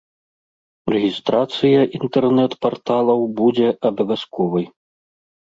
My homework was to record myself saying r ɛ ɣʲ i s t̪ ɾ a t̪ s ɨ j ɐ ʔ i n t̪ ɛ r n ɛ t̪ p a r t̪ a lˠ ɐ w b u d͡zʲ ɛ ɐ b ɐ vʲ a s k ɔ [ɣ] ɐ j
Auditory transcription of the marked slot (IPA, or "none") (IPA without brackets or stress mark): v